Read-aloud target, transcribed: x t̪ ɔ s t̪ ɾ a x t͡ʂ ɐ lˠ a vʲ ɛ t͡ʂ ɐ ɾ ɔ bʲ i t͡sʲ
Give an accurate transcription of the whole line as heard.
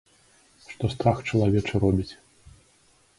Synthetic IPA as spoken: ʂ t̪ ɔ s t̪ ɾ a x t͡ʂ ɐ lˠ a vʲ ɛ t͡ʂ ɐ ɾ ɔ bʲ i t͡sʲ